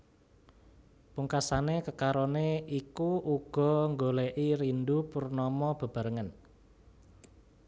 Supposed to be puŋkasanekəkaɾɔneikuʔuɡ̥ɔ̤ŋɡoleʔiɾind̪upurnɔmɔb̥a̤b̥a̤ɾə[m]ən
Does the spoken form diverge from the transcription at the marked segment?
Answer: yes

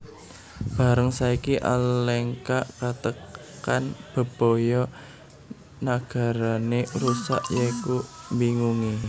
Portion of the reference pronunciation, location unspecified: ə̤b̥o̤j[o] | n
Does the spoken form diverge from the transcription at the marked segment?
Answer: yes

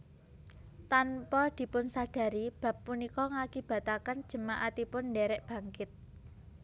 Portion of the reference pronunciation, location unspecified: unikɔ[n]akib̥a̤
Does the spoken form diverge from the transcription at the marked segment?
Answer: yes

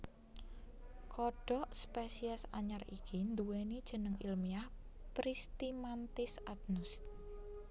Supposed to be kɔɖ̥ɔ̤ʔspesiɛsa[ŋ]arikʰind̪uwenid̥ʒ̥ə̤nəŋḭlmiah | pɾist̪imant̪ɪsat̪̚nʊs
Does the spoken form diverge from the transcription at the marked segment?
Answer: yes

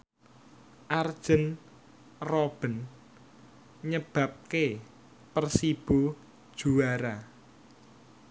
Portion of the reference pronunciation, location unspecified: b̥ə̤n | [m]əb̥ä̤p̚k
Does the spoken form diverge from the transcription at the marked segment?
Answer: yes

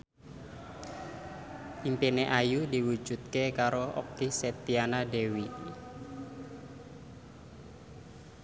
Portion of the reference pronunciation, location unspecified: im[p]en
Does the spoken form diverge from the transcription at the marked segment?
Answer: no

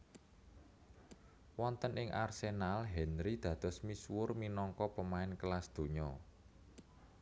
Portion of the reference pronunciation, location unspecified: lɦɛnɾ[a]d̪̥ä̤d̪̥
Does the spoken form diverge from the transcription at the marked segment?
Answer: yes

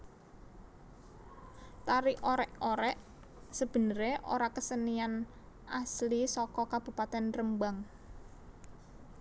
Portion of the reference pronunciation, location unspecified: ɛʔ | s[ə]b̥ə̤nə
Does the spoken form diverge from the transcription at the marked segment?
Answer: no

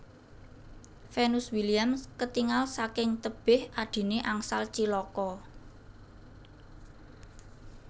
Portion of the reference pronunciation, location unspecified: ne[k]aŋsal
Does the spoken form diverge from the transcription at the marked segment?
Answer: yes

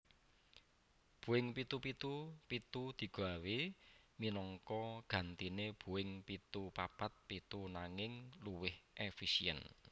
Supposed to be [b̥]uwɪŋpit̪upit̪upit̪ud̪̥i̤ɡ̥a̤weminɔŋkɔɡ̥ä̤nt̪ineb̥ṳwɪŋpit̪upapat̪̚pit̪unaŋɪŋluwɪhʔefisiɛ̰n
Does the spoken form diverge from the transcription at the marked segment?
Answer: no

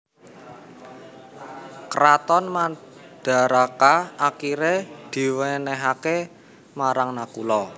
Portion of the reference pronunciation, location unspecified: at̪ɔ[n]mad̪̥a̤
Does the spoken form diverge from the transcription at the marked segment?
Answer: no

